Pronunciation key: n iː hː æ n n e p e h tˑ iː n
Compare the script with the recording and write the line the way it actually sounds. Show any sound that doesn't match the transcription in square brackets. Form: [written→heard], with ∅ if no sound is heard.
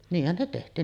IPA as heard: n iː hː æ n n e [p→t] e h tˑ iː n